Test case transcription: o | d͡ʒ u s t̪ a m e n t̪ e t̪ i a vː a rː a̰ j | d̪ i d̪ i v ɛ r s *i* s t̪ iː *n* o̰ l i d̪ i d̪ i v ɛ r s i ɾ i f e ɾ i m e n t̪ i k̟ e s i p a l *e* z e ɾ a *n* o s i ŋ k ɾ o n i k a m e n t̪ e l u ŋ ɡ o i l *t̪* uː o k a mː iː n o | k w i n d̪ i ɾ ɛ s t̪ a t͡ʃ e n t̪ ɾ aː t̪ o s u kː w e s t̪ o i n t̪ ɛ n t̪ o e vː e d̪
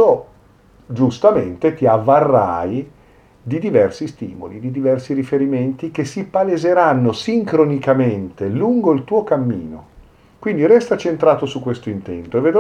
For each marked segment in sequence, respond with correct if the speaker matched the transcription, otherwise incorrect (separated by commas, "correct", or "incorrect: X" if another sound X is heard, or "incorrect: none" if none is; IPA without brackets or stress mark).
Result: correct, incorrect: m, correct, incorrect: nː, correct